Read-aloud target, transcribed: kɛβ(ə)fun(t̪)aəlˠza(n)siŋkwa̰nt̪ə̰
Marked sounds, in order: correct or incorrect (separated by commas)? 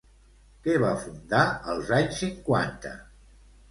incorrect, incorrect, incorrect